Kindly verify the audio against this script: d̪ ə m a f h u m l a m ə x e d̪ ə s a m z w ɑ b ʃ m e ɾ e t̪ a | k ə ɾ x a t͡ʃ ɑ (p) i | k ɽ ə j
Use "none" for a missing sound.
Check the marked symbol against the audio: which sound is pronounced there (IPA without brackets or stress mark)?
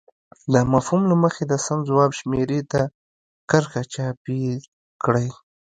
p